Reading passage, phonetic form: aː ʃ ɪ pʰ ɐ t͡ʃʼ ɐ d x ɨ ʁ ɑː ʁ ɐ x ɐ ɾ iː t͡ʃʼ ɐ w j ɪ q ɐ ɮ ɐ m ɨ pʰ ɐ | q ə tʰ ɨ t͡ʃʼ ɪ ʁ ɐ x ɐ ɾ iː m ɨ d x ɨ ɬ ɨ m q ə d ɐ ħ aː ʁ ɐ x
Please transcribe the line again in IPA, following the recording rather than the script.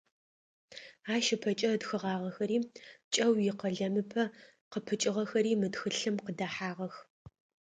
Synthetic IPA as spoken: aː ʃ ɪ pʰ ɐ t͡ʃʼ ɐ d x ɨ ʁ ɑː ʁ ɐ x ɐ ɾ iː t͡ʃʼ ɐ w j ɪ q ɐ ɮ ɐ m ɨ pʰ ɐ | q ə pʰ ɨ t͡ʃʼ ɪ ʁ ɐ x ɐ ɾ iː m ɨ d x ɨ ɬ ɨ m q ə d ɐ ħ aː ʁ ɐ x

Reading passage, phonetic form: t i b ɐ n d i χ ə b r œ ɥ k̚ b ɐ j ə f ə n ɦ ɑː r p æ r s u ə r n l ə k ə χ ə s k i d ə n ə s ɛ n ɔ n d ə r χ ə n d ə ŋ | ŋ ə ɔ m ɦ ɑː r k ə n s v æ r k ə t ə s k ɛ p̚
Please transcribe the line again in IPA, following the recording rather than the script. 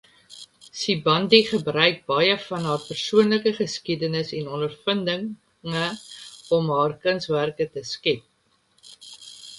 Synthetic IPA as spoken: s i b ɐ n d i χ ə b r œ ɥ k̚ b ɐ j ə f ɐ n ɦ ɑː r p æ r s u ə n l ə k ə χ ə s k i d ə n ə s ɛ n ɔ n d ə r f ə n d ə ŋ | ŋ ə ɔ m ɦ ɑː r k ə n s v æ r k ə t ə s k ɛ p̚

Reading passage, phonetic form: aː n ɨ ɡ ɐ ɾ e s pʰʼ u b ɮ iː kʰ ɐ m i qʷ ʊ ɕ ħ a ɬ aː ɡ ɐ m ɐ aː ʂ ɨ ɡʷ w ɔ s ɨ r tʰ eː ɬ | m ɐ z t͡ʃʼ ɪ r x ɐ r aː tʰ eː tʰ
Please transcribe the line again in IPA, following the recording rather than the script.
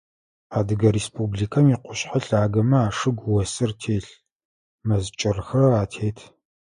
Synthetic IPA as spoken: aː d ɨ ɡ ɐ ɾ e s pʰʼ u b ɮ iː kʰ ɐ m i qʷ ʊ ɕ ħ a ɬ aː ɡ ɐ m ɐ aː ʂ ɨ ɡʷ w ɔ s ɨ r tʰ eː ɬ | m ɐ z t͡ʃʼ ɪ r x ɐ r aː tʰ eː tʰ

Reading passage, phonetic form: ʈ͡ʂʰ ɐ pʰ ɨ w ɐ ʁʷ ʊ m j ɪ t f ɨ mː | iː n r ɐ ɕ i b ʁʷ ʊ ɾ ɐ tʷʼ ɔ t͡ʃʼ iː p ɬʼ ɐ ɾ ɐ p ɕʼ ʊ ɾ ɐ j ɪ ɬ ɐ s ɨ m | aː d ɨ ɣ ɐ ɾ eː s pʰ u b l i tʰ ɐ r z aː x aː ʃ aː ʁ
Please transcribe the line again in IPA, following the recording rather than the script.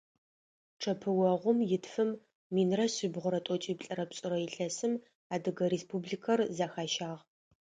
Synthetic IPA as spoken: ʈ͡ʂʰ ɐ pʰ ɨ w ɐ ʁʷ ʊ m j ɪ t f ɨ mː | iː n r ɐ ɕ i b ʁʷ ʊ ɾ ɐ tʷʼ ɔ t͡ʃʼ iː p ɬʼ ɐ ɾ ɐ p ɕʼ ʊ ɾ ɐ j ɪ ɬ ɐ s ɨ m | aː d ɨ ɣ ɐ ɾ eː s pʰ u b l i kʰ ɐ r z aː x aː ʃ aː ʁ

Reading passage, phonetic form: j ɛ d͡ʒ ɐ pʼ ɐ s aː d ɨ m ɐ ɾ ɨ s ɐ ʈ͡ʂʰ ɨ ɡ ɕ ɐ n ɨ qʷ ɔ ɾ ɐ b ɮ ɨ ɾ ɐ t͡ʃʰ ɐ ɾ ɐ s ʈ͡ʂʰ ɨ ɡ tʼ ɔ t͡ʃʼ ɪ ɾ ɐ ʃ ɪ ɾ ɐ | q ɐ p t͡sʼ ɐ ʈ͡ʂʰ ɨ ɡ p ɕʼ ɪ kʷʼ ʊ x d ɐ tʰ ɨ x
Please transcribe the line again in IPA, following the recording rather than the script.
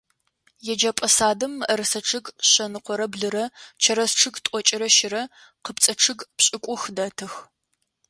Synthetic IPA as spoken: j ɛ d͡ʒ ɐ pʼ ɐ s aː d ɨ m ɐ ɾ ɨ s ɐ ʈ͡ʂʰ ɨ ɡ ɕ ɐ n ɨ qʷ ɔ ɾ ɐ b ɮ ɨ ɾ ɐ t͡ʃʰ ɐ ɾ ɐ s ʈ͡ʂʰ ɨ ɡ tʼ ɔ t͡ʃʼ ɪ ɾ ɐ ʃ ɪ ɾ ɐ | q ə p t͡sʼ ɐ ʈ͡ʂʰ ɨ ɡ p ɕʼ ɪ kʷʼ ʊ x d ɐ tʰ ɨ x

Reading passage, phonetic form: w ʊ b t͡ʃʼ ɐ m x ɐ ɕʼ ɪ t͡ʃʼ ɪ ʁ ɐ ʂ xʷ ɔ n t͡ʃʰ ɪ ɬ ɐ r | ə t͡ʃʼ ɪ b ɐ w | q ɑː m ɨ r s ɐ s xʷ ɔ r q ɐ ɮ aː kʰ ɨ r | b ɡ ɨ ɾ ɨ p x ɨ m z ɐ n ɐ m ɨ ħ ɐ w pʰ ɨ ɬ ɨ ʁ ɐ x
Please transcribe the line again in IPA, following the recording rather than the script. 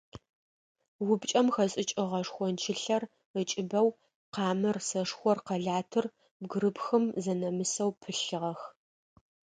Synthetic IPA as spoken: w ʊ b t͡ʃʼ ɐ m x ɐ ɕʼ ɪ t͡ʃʼ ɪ ʁ ɐ ʂ xʷ ɔ n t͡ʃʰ ɪ ɬ ɐ r | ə t͡ʃʼ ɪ b ɐ w | q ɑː m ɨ r s ɐ ʂ xʷ ɔ r q ɐ ɮ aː tʰ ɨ r | b ɡ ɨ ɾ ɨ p x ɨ m z ɐ n ɐ m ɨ s ɐ w pʰ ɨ ɬ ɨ ʁ ɐ x

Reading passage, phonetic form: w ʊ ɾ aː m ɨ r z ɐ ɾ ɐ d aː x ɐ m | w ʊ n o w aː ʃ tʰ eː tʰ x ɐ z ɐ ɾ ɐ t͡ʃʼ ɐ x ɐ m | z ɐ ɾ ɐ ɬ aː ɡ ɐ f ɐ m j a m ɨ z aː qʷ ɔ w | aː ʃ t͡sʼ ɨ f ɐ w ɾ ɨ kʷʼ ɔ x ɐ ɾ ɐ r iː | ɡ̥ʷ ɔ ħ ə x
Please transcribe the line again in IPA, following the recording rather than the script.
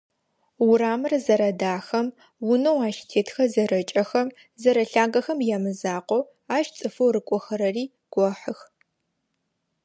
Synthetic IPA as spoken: w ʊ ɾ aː m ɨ r z ɐ ɾ ɐ d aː x ɐ m | w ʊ n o w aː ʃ tʰ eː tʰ x ɐ z ɐ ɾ ɐ t͡ʃʼ ɐ x ɐ m | z ɐ ɾ ɐ ɬ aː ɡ ɐ x ɐ m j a m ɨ z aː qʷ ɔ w | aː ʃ t͡sʼ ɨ f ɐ w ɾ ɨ kʷʼ ɔ x ɐ ɾ ɐ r iː | ɡ̥ʷ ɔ ħ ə x

